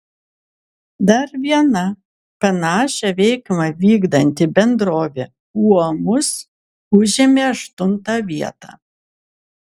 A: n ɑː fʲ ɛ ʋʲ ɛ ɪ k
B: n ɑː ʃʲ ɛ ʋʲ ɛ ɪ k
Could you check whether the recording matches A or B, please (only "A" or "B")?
B